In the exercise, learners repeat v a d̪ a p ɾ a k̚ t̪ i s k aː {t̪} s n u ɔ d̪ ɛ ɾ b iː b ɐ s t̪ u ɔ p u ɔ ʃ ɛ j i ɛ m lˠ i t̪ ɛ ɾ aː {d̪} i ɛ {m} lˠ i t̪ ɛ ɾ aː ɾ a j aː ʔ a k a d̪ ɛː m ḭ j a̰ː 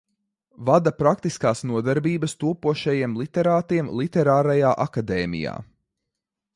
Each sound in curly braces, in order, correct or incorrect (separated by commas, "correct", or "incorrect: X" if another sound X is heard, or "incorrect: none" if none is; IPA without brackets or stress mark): incorrect: none, incorrect: t̪, correct